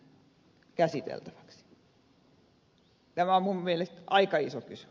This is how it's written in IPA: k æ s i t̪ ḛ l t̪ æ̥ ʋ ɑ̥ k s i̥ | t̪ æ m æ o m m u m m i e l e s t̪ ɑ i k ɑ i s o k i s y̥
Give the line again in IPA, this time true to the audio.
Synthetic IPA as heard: k æ s i t̪ ḛ l t̪ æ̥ ʋ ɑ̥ k s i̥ | t̪ æ m æ o m m u m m i e l e s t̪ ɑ i k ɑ i s o k y s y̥

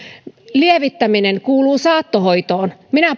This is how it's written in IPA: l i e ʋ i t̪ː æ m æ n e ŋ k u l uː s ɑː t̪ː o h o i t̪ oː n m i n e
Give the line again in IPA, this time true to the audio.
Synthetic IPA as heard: l i e ʋ i t̪ː æ m i n e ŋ k uː l uː s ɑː t̪ː o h o i t̪ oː n m i n æ

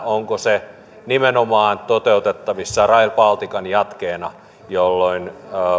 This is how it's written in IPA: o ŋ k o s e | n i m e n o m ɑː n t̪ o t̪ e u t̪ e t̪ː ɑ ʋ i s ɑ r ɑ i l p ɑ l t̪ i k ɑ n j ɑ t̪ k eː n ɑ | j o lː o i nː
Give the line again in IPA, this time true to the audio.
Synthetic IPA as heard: o ŋ k o s e | n i m e n o m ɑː n t̪ o t̪ e u t̪ e t̪ː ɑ ʋ i sː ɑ r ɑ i l p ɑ l t̪ i k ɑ n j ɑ t̪ k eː n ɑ | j o lː o i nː

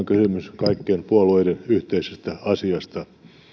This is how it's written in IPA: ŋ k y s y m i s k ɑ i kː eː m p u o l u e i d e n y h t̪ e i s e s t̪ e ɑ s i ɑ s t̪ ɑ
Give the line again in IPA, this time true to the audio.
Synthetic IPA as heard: ŋ k y s y m y s k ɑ i kː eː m p u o l u e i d e n y h t̪ e i s e s t̪ æ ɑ s i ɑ s t̪ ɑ

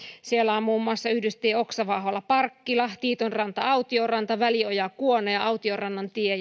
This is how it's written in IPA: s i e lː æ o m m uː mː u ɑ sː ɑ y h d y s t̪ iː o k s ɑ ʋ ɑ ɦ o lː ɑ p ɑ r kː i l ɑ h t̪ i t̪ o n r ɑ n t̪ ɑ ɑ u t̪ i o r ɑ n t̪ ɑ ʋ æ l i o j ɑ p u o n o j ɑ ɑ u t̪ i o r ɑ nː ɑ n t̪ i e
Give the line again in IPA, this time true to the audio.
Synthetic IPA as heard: s i e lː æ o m m uː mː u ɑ sː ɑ y h d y s t̪ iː o k s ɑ ʋ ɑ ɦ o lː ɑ p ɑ r kː i l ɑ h t̪ iː t̪ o n r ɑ n t̪ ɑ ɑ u t̪ i o r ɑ n t̪ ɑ ʋ æ l i o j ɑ k u o n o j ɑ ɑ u t̪ i o r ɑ nː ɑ n t̪ i e

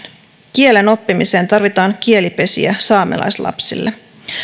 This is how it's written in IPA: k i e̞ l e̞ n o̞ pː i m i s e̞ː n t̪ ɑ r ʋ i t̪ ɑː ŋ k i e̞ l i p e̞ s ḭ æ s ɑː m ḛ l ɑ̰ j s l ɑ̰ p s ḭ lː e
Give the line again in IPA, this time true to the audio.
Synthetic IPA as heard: k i e̞ l e̞ n o̞ pː i m i s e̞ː n t̪ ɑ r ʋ i t̪ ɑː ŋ k i e̞ l i p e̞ s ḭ æ s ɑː m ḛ l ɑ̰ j s l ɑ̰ p s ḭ lː e

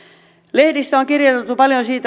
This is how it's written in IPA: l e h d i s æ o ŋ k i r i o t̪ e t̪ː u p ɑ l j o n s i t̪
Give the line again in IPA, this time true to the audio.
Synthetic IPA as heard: l e h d i sː æ o ŋ k i r j o t̪ e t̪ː u p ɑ l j o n s iː t̪

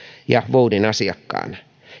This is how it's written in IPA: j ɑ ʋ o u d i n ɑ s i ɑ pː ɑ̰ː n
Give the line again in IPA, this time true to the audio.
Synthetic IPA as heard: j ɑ ʋ o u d i n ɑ s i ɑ kː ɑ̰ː n

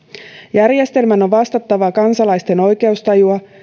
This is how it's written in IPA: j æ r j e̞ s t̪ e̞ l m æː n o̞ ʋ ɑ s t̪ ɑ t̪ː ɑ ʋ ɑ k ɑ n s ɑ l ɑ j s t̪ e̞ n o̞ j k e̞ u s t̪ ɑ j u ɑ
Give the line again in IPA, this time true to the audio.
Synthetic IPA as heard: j æ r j e̞ s t̪ e̞ l m æ n o̞ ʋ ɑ s t̪ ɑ t̪ː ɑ ʋ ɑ k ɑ n s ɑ l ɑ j s t̪ e̞ n o̞ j k e̞ u s t̪ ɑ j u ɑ

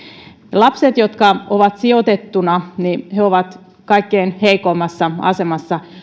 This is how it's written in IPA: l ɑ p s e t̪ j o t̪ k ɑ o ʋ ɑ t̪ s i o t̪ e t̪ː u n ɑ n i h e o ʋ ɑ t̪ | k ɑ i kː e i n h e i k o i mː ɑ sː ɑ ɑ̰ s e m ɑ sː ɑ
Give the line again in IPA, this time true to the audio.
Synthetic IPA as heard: l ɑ p s e t̪ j o t̪ k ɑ o ʋ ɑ t̪ s i o t̪ e t̪ː u n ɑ n i h e o ʋ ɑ t̪ | k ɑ i kː e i n h e i k o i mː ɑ sː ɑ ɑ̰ s e m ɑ sː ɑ

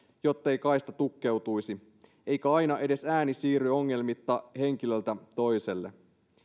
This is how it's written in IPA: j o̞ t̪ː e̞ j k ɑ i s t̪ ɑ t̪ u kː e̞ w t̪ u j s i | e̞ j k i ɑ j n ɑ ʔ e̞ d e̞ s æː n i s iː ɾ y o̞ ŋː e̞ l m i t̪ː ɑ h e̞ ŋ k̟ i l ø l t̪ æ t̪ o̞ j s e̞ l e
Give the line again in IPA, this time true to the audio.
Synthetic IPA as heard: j o̞ t̪ː e̞ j k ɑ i s t̪ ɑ t̪ u kː e̞ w t̪ u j s i | e̞ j k æ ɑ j n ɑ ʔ e̞ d e̞ s æː n i s iː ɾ y o̞ ŋː e̞ l m i t̪ː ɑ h e̞ ŋ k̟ i l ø l t̪ æ t̪ o̞ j s e̞ lː e

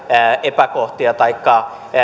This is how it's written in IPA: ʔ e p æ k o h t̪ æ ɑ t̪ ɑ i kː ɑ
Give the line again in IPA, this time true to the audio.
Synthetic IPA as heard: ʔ e p æ k o h t̪ i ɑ t̪ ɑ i kː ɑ

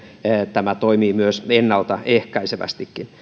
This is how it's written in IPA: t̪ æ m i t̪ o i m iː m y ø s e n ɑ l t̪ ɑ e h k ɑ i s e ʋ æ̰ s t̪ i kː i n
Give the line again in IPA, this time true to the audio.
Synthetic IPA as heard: t̪ æ m æ t̪ o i m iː m y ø s e nː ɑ l t̪ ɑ e h k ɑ i s e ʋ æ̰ s t̪ i kː i n

